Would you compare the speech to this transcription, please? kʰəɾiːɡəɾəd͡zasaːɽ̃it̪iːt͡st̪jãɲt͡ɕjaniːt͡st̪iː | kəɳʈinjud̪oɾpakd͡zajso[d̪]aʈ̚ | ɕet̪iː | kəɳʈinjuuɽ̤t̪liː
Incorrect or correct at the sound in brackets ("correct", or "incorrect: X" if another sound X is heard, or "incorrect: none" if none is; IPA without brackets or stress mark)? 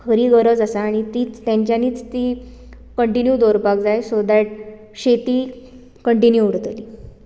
correct